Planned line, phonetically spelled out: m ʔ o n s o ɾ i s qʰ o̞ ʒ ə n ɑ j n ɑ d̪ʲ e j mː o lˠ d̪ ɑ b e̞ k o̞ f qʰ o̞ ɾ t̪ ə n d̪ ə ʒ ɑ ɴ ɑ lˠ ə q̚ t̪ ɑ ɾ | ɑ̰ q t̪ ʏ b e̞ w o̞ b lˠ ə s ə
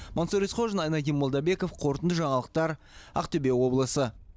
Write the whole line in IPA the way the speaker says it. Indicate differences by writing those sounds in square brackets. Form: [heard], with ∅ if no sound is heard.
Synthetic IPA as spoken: m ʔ o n s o ɾ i s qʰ o̞ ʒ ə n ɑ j n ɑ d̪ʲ [i] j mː o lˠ d̪ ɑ b e̞ k o̞ f qʰ o̞ ɾ t̪ ə n d̪ ə ʒ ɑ ɴ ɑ lˠ ə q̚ t̪ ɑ ɾ | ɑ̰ q t̪ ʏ b e̞ w o̞ b lˠ ə s ə